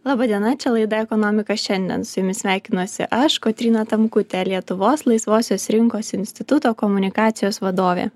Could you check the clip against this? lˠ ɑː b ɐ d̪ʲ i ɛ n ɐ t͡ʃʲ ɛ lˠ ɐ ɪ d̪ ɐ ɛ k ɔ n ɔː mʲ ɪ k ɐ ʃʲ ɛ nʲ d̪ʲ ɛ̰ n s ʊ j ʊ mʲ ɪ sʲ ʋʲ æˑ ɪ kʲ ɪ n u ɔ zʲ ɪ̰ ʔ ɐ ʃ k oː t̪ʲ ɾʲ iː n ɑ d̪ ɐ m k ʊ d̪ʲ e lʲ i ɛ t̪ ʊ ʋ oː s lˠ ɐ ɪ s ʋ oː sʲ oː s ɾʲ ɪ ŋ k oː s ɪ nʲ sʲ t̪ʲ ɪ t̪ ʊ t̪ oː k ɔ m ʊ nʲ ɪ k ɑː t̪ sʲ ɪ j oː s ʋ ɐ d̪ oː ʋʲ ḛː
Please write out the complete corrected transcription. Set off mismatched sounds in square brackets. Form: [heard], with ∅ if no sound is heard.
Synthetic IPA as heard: lˠ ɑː b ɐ d̪ʲ i ɛ n ɐ t͡ʃʲ ɛ lˠ ɐ ɪ d̪ ɐ ɛ k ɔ n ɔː mʲ ɪ k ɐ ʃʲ ɛ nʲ d̪ʲ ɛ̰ n s ʊ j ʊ mʲ ɪ sʲ ʋʲ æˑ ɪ kʲ ɪ n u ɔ [sʲ] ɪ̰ ʔ ɐ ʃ k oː t̪ʲ ɾʲ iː n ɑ [t̪] ɐ m k ʊ [t̪ʲ] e lʲ i ɛ t̪ ʊ ʋ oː s lˠ ɐ ɪ s ʋ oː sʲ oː s ɾʲ ɪ ŋ k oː s ɪ nʲ sʲ t̪ʲ ɪ t̪ ʊ t̪ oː k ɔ m ʊ nʲ ɪ k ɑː t̪ sʲ ɪ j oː s ʋ ɐ d̪ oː ʋʲ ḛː